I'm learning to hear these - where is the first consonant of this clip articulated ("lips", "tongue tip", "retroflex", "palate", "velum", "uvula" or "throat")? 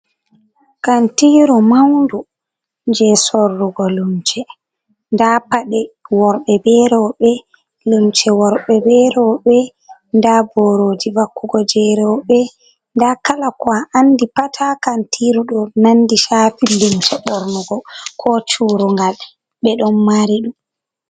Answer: velum